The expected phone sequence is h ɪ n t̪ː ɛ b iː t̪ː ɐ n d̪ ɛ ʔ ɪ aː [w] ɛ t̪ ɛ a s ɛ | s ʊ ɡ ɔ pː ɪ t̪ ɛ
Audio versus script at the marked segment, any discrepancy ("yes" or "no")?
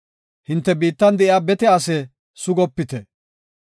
yes